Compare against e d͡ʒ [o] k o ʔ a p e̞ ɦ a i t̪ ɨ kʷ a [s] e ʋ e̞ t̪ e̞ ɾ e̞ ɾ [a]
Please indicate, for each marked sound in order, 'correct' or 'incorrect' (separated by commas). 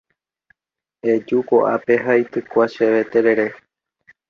incorrect, incorrect, incorrect